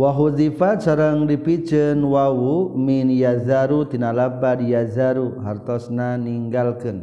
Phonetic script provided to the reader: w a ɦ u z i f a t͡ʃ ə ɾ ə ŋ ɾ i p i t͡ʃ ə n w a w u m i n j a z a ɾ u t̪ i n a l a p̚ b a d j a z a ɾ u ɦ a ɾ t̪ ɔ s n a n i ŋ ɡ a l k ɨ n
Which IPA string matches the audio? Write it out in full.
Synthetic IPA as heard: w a ɦ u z i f a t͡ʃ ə ɾ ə ŋ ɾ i p i t͡ʃ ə n w a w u m i n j a z a ɾ u t̪ i n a l a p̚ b a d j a z a ɾ u ɦ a ɾ t̪ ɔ s n a n i ŋ ɡ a l k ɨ n